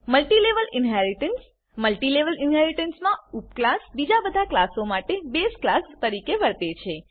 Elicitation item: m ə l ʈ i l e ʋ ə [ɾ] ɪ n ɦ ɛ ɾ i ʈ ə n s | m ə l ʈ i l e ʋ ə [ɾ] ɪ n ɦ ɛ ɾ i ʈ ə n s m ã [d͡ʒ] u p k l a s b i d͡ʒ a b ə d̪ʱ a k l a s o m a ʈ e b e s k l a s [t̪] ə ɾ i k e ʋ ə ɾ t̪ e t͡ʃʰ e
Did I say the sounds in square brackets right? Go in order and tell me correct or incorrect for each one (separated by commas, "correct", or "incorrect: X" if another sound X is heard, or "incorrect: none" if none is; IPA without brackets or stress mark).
incorrect: l, incorrect: l, incorrect: none, correct